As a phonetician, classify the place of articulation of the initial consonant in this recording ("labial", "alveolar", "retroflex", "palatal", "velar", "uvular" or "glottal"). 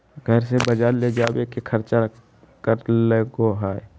velar